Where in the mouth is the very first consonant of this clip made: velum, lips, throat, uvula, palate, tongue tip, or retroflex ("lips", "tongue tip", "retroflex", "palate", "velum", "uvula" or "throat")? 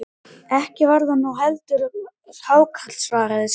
throat